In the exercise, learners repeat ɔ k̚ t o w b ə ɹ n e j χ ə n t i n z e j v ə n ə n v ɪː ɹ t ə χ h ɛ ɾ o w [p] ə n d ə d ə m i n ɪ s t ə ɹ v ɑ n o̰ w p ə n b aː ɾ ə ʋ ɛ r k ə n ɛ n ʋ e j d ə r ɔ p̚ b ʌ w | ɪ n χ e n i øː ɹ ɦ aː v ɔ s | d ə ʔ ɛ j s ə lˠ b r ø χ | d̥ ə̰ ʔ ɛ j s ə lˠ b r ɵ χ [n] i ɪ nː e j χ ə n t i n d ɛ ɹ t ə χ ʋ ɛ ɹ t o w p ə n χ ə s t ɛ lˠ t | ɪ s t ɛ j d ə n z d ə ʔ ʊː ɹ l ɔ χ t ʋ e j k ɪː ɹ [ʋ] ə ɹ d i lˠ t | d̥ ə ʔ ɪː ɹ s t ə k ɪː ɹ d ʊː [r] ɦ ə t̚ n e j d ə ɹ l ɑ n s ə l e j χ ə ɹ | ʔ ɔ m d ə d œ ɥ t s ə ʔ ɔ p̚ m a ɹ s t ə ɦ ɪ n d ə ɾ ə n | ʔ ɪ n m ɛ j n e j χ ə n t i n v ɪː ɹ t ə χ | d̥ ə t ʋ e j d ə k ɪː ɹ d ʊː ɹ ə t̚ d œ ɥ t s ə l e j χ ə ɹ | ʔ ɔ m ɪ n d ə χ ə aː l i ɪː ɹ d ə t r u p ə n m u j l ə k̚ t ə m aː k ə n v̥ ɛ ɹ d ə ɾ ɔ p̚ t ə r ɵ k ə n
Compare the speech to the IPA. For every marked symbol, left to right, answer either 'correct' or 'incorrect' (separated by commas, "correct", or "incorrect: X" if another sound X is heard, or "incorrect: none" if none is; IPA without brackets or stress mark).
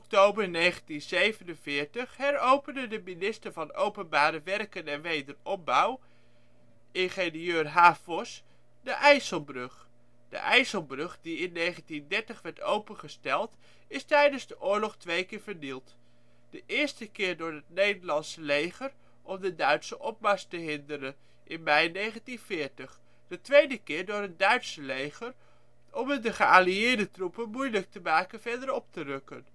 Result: correct, incorrect: d, incorrect: v, incorrect: ɹ